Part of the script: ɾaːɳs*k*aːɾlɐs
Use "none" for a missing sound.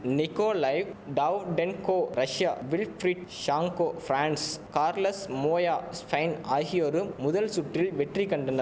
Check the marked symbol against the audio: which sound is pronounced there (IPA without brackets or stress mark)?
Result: k